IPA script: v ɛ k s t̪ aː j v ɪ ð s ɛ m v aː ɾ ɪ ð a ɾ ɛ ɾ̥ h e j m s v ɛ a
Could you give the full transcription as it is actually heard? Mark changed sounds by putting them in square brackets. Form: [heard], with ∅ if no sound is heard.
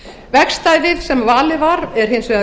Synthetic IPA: v ɛ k s t̪ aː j v ɪ ð s ɛ m v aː [l] ɪ [v] a ɾ ɛ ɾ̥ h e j [n] s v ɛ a